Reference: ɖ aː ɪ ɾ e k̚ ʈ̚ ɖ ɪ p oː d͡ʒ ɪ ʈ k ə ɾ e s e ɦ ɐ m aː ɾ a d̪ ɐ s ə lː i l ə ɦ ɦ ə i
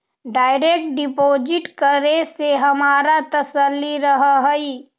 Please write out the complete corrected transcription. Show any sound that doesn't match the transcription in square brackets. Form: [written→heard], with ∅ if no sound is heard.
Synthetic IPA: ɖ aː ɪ ɾ e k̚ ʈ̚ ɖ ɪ p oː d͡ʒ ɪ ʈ k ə ɾ e s e ɦ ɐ m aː ɾ a [d̪→t̪] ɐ s ə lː i [l→ɾ] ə ɦ ɦ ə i